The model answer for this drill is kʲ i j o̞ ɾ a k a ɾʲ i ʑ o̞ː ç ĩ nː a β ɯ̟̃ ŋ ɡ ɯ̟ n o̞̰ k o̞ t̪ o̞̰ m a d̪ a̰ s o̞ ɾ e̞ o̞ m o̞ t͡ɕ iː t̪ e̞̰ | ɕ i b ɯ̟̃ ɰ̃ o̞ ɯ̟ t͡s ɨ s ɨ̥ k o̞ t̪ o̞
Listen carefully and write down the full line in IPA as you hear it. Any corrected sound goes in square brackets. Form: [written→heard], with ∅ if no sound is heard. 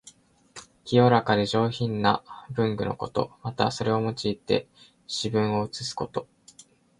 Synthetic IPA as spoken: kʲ i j o̞ ɾ a k a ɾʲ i ʑ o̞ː ç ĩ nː a [β→b] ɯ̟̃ ŋ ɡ ɯ̟ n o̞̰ k o̞ t̪ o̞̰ m a [d̪→t̪] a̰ s o̞ ɾ e̞ o̞ m o̞ t͡ɕ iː t̪ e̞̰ | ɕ i b ɯ̟̃ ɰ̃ o̞ ɯ̟ t͡s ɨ s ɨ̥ k o̞ t̪ o̞